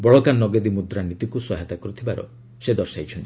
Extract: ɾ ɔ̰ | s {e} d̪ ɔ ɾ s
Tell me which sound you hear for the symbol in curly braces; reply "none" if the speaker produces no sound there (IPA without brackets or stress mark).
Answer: e